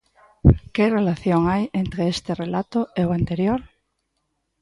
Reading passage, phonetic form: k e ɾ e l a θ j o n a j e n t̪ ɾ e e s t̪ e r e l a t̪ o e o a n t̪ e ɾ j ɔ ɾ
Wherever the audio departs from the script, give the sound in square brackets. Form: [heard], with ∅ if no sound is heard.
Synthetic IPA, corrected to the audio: k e [r] e l a θ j o [ŋ] a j e n t̪ ɾ e e s t̪ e r e l a t̪ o e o a n t̪ e ɾ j [o] ɾ